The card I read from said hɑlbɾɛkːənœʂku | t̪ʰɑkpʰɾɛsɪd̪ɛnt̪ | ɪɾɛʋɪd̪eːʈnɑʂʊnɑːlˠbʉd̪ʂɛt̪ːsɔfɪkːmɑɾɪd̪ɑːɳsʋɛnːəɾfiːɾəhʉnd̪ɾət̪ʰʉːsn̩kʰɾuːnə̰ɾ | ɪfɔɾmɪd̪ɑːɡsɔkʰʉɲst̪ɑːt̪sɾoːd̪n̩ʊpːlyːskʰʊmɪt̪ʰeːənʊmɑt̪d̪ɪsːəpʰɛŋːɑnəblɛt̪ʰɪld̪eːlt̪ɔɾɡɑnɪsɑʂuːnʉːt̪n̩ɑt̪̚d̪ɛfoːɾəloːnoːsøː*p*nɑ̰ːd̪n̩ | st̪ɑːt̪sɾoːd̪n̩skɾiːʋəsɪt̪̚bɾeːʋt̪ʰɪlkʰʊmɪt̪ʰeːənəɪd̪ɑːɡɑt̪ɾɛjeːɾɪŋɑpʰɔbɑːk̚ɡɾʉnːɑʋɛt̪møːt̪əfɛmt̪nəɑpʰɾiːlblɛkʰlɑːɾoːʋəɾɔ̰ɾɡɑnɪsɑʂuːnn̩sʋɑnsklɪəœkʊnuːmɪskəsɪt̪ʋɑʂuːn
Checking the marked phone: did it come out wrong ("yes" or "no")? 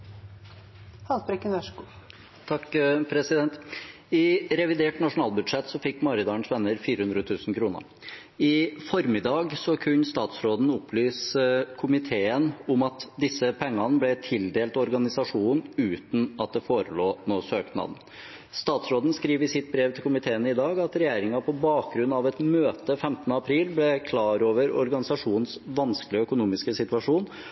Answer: yes